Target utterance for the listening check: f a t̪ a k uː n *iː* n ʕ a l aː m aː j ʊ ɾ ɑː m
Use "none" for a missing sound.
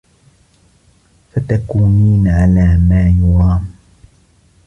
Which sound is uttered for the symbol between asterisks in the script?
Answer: iː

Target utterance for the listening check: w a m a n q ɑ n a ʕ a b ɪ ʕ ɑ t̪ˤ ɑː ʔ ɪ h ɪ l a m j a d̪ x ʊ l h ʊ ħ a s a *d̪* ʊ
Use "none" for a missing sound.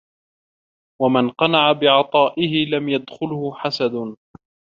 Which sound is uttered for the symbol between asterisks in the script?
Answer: d̪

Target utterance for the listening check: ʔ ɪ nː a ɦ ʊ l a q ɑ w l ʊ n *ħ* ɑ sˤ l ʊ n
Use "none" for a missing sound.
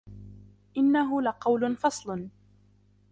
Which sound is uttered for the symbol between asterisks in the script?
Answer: f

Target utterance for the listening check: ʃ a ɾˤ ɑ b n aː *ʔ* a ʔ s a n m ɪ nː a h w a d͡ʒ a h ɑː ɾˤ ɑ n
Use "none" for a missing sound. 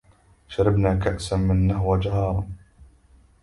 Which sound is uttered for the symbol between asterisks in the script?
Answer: k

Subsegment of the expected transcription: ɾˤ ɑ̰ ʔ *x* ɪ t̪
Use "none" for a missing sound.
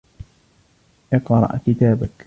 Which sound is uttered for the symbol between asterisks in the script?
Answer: k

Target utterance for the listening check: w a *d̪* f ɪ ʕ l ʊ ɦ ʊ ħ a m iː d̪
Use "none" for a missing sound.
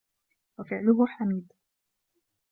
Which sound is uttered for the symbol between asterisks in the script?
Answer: none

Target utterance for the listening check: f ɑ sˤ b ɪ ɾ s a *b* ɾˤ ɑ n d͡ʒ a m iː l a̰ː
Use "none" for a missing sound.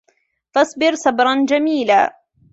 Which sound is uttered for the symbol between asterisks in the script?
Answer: b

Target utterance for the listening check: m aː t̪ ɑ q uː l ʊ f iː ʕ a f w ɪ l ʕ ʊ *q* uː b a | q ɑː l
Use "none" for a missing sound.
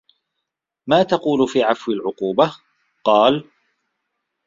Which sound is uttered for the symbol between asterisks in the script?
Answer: q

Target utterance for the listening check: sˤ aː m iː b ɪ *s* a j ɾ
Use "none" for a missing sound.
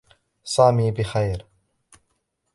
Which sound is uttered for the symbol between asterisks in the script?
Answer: x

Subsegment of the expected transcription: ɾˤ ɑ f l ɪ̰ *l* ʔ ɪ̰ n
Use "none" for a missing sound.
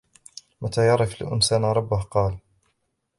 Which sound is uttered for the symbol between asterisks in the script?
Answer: none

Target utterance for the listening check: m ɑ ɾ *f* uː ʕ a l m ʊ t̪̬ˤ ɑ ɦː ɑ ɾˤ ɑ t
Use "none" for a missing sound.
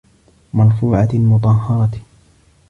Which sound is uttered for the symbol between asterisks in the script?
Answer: f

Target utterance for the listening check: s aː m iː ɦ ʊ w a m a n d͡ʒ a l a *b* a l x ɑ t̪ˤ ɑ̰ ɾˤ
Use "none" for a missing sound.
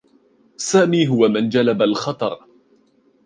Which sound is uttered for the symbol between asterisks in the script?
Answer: b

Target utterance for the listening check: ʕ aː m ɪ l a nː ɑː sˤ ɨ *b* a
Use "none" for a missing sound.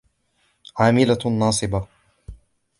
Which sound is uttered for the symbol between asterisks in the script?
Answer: b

